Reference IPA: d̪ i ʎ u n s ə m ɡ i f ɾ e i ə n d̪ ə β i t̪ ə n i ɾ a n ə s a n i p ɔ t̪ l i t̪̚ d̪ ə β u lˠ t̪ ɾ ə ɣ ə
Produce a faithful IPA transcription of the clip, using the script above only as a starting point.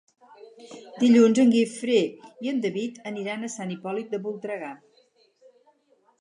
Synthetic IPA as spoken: d̪ i ʎ u n z ə ŋ ɡ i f ɾ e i ə n d̪ ə β i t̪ ə n i ɾ a n ə s a n i p ɔ l i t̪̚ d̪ ə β u lˠ t̪ ɾ ə ɣ a